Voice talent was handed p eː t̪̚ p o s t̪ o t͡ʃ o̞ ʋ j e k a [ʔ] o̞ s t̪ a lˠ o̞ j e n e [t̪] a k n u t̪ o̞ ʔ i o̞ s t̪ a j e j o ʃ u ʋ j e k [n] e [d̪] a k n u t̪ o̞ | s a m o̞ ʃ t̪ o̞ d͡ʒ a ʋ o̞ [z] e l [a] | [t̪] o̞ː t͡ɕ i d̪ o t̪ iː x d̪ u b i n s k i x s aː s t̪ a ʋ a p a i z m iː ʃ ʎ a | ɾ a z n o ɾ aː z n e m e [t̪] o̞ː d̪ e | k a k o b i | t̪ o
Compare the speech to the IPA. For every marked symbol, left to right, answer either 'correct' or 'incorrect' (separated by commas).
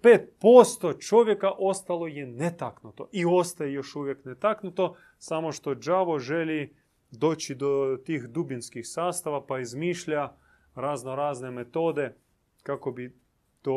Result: correct, correct, correct, incorrect, incorrect, incorrect, incorrect, correct